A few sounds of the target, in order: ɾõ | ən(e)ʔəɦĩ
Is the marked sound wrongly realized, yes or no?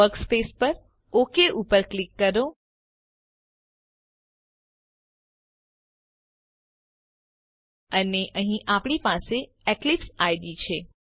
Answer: no